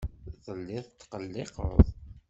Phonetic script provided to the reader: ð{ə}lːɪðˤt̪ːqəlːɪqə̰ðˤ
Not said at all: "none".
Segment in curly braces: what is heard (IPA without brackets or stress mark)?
ə